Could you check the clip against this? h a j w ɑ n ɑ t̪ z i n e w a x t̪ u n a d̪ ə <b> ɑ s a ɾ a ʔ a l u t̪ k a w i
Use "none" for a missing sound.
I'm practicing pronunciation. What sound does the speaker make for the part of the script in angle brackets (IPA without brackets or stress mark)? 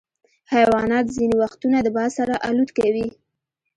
b